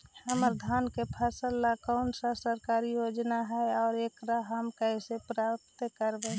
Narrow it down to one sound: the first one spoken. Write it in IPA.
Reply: h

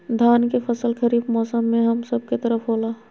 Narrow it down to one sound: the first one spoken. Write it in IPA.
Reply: d̪ʱ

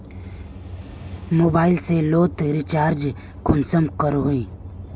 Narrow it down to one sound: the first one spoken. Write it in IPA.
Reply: m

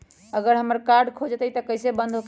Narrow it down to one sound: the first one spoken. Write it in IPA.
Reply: ə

